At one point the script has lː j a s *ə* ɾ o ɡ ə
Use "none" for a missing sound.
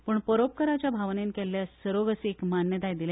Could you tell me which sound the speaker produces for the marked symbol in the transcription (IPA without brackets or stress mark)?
ə